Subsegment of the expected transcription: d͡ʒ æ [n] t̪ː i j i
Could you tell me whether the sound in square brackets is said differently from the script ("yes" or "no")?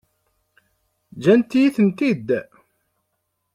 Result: no